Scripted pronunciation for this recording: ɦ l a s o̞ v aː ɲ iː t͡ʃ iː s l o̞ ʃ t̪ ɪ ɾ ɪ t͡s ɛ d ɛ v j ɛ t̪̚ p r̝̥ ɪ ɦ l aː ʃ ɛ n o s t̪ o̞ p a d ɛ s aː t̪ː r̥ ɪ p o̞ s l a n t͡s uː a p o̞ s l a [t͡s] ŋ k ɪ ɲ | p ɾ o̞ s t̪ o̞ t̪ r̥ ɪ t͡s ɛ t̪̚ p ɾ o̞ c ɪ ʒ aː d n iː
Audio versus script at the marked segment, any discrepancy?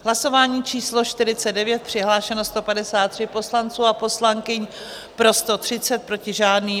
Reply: yes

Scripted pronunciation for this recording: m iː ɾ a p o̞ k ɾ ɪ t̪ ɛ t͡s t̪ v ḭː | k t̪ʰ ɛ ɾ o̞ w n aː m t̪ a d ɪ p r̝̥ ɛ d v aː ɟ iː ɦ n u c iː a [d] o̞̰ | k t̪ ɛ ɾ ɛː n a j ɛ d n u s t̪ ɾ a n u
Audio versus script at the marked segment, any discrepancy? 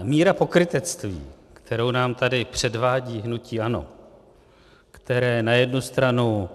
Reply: yes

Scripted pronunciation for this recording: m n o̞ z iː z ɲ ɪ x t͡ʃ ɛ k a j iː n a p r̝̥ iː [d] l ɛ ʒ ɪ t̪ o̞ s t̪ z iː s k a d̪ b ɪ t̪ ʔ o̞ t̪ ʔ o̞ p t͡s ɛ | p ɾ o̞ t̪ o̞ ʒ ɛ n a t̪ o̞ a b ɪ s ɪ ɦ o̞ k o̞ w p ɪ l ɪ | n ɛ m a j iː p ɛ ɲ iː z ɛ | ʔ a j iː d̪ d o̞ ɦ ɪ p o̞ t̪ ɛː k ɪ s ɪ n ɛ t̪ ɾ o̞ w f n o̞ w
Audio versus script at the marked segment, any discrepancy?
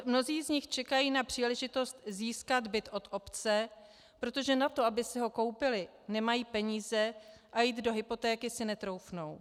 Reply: yes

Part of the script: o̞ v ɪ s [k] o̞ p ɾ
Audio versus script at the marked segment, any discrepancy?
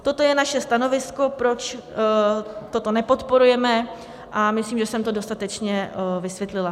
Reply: no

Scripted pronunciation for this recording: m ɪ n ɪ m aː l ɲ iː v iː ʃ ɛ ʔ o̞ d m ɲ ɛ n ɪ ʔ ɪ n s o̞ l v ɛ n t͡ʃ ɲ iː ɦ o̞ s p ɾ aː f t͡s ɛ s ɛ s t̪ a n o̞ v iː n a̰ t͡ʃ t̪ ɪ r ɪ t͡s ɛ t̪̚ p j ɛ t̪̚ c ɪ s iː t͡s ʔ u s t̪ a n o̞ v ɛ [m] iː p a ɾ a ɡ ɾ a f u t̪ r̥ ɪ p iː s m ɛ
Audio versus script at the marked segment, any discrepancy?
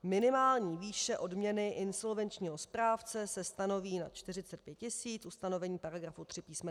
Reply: yes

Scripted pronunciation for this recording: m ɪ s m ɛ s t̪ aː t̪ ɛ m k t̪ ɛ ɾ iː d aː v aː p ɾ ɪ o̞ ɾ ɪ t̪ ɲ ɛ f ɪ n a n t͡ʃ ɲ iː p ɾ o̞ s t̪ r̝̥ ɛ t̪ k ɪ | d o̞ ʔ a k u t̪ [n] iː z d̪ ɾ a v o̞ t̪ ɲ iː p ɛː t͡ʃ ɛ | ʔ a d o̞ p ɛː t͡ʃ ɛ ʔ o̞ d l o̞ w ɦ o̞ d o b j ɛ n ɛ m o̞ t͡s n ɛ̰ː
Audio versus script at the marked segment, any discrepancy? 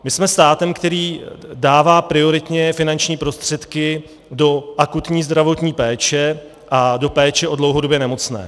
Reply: yes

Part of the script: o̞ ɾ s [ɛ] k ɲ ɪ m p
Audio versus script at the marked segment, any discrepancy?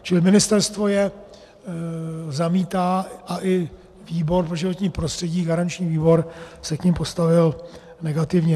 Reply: no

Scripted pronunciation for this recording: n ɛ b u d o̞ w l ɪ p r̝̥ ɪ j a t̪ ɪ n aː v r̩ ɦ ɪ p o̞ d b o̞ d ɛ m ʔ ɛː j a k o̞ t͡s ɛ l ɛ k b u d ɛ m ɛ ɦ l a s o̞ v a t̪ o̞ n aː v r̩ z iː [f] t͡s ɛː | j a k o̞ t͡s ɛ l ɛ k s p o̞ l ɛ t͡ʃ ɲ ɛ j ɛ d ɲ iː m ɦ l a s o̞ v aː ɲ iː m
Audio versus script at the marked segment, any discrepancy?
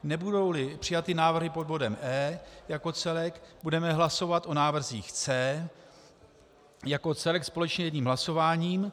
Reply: yes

